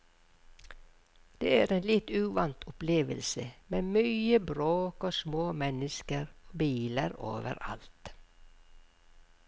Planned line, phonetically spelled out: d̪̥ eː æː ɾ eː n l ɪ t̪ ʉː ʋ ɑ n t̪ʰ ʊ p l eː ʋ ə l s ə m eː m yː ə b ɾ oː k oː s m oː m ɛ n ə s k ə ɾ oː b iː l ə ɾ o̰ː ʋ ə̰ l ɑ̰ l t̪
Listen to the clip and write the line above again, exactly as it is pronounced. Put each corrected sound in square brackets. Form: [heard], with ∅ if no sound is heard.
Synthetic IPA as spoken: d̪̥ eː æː ɾ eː n l ɪ t̪ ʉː ʋ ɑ n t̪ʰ ʊ p l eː ʋ ə l s ə m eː m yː ə b ɾ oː k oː s m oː m ɛ n ə s k ə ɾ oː b iː l ə ɾ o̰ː ʋ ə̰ [ɾ] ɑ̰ l t̪

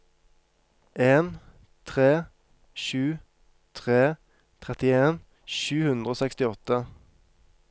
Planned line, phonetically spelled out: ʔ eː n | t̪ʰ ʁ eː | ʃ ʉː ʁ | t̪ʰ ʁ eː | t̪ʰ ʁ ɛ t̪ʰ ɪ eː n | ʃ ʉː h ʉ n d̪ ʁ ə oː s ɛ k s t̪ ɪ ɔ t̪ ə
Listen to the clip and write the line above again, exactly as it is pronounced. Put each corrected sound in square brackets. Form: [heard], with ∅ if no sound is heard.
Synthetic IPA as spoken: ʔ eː n | t̪ʰ ʁ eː | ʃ ʉː [∅] | t̪ʰ ʁ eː | t̪ʰ ʁ ɛ [t̪] ɪ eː n | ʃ ʉː h ʉ n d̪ ʁ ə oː s ɛ k s t̪ ɪ ɔ t̪ ə

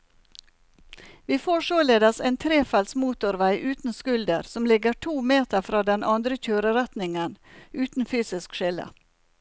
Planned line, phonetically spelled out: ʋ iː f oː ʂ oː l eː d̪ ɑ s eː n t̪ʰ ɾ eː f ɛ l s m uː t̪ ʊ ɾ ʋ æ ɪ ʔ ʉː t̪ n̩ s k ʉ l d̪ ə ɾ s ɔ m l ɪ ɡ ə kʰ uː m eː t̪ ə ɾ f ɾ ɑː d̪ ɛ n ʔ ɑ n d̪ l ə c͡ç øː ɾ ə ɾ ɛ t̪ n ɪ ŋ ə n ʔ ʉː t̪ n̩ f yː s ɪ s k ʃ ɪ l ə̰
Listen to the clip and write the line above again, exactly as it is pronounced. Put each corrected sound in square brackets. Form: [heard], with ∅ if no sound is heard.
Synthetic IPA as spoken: ʋ iː f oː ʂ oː l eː d̪ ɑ s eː n t̪ʰ ɾ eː f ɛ l s m uː t̪ ʊ ɾ ʋ æ ɪ ʔ ʉː t̪ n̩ s k ʉ l d̪ ə ɾ s ɔ m l ɪ ɡ ə [ʈʰ] uː m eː t̪ ə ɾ f ɾ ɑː d̪ ɛ n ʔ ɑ n d̪ [ɾ] ə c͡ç øː ɾ ə ɾ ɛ t̪ n ɪ ŋ ə n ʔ ʉː t̪ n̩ f yː s ɪ s k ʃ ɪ l ə̰

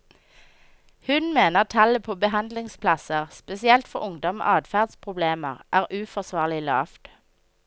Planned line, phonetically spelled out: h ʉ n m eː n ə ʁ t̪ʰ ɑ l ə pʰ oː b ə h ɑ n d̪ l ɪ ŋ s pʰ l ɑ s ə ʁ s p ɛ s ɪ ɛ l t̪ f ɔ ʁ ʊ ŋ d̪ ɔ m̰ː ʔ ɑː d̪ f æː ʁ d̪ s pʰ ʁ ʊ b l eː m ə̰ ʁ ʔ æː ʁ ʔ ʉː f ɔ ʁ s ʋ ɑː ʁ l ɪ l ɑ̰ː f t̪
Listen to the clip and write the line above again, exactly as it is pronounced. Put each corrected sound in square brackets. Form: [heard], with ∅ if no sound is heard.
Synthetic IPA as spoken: h ʉ n m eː n ə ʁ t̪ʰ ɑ l ə pʰ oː b ə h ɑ n d̪ l ɪ ŋ s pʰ l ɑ s ə ʁ s p ɛ s ɪ ɛ l t̪ f ɔ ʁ ʊ ŋ d̪ ɔ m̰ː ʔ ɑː d̪ f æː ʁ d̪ s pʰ ʁ ʊ b l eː m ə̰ ʁ ʔ æː ʁ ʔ ʉː f ɔ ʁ s ʋ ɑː ʁ l ɪ l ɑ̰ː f t̪

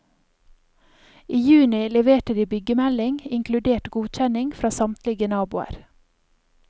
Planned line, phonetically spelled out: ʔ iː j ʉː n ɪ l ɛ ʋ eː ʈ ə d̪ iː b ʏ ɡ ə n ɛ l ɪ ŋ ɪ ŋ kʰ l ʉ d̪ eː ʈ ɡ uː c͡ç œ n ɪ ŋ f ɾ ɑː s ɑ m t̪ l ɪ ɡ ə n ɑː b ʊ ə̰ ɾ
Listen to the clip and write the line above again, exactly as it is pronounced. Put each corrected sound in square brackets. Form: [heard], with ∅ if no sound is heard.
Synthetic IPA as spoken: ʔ iː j ʉː n ɪ l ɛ ʋ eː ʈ ə d̪ iː b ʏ ɡ ə [m] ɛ l ɪ ŋ ɪ ŋ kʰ l ʉ d̪ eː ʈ ɡ uː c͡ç [ɛ] n ɪ ŋ f ɾ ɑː s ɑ m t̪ l ɪ ɡ ə n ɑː b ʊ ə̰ ɾ

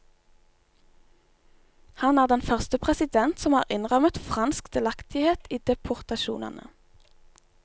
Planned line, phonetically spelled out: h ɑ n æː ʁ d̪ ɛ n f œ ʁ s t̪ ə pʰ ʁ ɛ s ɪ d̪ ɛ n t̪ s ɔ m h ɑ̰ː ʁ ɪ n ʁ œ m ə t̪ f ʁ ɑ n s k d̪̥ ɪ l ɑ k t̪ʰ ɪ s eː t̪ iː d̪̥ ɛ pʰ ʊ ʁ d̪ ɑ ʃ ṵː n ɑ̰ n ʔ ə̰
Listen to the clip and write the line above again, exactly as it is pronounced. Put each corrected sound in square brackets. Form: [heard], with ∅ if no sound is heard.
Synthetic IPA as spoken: h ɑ n æː ʁ d̪ ɛ n f œ ʁ s t̪ ə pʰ ʁ ɛ s ɪ d̪ ɛ n t̪ s ɔ m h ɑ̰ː ʁ ɪ n ʁ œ m ə t̪ f ʁ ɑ n s k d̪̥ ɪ l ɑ k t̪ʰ ɪ [h] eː t̪ iː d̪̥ ɛ pʰ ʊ ʁ [t̪] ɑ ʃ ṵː n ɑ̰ n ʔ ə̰

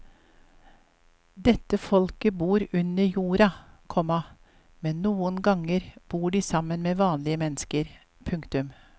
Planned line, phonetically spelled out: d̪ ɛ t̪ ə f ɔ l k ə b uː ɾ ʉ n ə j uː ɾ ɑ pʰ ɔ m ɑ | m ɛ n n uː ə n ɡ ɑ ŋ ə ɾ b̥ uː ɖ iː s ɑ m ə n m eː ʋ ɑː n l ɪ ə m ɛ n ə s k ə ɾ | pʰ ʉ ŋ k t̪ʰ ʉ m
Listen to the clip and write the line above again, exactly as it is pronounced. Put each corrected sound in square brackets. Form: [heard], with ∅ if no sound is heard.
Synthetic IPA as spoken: d̪ ɛ t̪ ə f ɔ l k ə b uː ɾ ʉ n ə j uː ɾ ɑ [kʰ] ɔ m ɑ | m ɛ n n uː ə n ɡ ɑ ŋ ə ɾ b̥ uː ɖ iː s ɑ m ə n m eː ʋ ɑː n l ɪ ə m ɛ n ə s k ə ɾ | pʰ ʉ ŋ k [t̪] ʉ m

